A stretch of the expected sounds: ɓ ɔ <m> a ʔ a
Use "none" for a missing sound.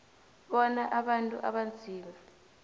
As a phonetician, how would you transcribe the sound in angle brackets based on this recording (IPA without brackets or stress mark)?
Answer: n